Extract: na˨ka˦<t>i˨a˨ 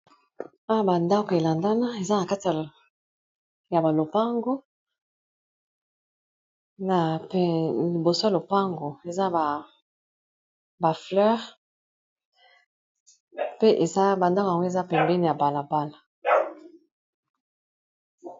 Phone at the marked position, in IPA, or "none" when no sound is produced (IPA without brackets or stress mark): t